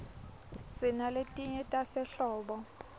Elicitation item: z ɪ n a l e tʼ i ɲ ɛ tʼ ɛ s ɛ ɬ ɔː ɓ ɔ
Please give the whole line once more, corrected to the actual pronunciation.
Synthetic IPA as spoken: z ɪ n a l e tʼ i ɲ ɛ tʼ a s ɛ ɬ ɔː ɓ ɔ